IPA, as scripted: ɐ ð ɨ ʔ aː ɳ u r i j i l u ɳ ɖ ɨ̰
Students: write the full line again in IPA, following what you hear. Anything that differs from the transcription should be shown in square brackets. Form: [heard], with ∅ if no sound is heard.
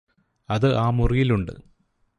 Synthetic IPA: ɐ ð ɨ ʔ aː [m] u r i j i l u ɳ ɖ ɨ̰